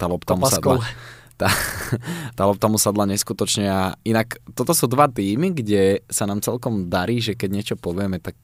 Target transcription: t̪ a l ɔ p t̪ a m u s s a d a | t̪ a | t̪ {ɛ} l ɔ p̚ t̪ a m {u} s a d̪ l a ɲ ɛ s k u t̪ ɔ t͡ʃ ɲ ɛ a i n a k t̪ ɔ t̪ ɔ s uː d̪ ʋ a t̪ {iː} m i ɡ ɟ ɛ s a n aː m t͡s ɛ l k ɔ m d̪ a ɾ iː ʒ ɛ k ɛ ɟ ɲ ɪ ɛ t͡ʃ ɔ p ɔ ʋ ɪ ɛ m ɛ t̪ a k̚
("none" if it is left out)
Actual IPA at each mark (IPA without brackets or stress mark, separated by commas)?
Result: a, u, iː